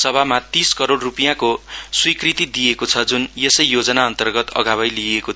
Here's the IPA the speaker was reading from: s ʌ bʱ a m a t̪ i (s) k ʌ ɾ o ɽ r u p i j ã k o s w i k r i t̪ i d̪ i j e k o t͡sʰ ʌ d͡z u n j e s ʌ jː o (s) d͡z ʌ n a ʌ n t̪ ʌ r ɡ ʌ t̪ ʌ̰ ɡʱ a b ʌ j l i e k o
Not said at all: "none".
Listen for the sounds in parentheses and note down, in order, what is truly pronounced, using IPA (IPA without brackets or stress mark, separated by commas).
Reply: s, none